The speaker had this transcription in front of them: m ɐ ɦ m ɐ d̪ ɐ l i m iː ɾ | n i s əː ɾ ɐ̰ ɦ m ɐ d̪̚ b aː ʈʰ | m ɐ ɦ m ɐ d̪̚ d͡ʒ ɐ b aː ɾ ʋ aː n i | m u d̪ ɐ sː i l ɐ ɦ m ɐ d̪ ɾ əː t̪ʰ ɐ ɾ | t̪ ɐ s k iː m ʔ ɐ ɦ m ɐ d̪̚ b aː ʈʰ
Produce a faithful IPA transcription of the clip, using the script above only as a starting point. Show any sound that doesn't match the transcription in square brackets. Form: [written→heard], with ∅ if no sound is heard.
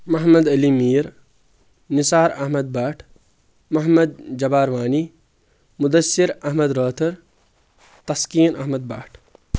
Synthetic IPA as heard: m ɐ ɦ m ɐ d̪ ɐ l i m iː ɾ | n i s [əː→aː] ɾ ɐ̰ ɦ m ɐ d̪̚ b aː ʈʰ | m ɐ ɦ m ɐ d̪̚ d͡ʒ ɐ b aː ɾ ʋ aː n i | m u d̪ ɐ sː i [l→ɾ] ɐ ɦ m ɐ d̪ ɾ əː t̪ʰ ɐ ɾ | t̪ ɐ s k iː [m→n] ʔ ɐ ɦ m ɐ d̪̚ b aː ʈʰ